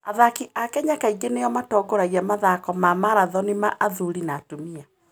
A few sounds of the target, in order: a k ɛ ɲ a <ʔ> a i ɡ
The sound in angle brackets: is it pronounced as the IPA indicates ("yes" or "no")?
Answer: no